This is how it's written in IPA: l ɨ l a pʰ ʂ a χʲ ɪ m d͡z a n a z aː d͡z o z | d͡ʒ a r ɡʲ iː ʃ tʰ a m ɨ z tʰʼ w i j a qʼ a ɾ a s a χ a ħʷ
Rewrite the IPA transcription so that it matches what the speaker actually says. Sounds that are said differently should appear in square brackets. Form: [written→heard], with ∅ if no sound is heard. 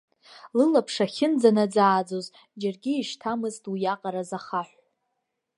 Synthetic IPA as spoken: l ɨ l a pʰ ʂ a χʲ ɪ [m→n] d͡z a n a [z→d͡z] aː d͡z o z | d͡ʒ a r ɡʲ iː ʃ tʰ a m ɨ z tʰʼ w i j a qʼ a ɾ a [s→z] a χ a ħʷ